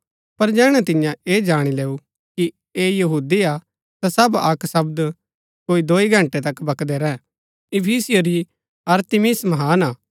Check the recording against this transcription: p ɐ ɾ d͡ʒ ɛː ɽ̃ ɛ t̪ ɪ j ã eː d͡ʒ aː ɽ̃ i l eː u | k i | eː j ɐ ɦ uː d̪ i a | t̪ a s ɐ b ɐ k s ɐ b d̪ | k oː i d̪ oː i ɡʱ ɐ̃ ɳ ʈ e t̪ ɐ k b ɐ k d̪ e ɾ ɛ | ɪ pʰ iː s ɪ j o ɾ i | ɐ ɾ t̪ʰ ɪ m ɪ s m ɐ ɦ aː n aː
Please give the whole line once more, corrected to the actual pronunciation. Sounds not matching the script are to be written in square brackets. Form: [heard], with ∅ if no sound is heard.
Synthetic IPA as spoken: p ɐ ɾ d͡ʒ ɛː ɽ̃ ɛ t̪ ɪ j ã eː d͡ʒ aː ɽ̃ i l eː u | k i | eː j ɐ ɦ uː d̪ i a | t̪ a s ɐ b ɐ k s ɐ b d̪ | k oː i d̪ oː i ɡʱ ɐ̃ ɳ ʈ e t̪ ɐ k b ɐ k d̪ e ɾ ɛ | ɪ pʰ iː s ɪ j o ɾ i | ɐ ɾ [t̪] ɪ m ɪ s m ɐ ɦ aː n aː